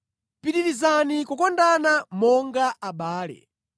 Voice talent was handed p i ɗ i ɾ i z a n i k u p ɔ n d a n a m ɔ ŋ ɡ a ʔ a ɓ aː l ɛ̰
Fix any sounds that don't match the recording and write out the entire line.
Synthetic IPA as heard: p i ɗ i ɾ i z a n i k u k ɔ n d a n a m ɔ ŋ ɡ a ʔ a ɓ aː l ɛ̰